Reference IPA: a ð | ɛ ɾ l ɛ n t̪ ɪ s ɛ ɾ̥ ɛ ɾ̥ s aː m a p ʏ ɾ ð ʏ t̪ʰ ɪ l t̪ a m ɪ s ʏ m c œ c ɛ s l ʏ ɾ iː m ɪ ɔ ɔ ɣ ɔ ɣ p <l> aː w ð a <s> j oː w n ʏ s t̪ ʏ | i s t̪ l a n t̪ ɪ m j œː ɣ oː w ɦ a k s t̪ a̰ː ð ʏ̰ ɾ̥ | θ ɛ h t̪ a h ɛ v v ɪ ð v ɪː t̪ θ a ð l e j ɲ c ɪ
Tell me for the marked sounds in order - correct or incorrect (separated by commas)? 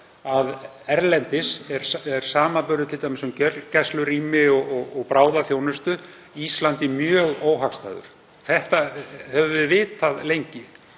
incorrect, incorrect